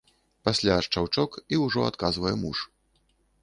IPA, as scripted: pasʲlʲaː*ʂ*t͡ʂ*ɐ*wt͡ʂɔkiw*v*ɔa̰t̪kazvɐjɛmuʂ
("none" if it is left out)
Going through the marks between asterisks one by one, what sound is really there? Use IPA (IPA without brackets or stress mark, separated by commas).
ʂ, a, ʐ